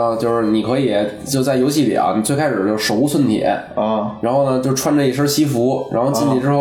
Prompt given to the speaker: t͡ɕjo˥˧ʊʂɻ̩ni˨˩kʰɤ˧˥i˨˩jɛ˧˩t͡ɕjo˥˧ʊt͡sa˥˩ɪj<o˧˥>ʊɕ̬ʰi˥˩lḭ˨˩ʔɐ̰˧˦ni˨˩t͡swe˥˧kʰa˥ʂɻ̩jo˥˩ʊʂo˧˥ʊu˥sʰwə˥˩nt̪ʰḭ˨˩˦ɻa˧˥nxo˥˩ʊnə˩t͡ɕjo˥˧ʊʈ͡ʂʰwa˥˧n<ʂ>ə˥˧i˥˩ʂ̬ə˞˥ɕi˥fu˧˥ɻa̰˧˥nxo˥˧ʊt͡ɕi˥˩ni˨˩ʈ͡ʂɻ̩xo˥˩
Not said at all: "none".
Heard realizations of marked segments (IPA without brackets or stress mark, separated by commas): o˧˥, ʈ͡ʂ